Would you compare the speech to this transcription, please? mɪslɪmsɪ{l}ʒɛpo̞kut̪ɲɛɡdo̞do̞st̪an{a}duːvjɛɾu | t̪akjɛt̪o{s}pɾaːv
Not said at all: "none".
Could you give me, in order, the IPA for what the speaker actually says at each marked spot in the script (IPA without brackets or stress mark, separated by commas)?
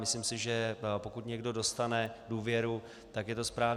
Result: none, ɛ, s